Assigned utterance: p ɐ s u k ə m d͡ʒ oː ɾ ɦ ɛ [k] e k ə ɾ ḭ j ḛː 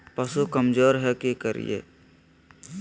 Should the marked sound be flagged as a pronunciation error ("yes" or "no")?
no